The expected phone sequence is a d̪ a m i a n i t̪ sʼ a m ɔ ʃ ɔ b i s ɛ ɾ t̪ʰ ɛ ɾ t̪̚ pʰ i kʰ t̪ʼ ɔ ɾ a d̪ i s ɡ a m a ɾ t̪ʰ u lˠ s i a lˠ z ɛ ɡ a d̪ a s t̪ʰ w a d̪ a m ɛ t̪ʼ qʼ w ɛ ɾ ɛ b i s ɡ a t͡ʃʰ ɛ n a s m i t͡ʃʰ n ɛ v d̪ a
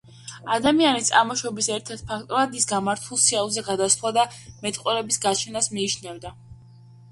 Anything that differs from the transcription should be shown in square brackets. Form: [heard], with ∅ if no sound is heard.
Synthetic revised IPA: a d̪ a m i a n i t̪ sʼ a m ɔ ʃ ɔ b i s ɛ ɾ t̪ʰ ɛ ɾ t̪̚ pʰ [a] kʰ t̪ʼ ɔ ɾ a d̪ i s ɡ a m a ɾ t̪ʰ u lˠ s i a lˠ z ɛ ɡ a d̪ a s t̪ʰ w a d̪ a m ɛ t̪ʼ qʼ w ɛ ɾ ɛ b i s ɡ a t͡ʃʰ ɛ n a s m [iː] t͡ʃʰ n ɛ v d̪ a